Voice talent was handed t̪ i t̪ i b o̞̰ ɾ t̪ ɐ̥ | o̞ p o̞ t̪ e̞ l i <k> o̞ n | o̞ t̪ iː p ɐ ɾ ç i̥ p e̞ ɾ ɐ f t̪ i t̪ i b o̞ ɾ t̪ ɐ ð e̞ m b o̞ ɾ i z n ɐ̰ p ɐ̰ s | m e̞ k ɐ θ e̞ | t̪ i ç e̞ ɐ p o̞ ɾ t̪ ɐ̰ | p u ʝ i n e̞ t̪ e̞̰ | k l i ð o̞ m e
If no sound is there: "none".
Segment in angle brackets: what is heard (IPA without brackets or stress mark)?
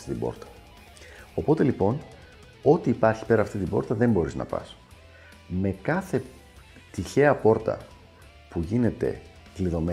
p